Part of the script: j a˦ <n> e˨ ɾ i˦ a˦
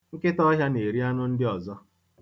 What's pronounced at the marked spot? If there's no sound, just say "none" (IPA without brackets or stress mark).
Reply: n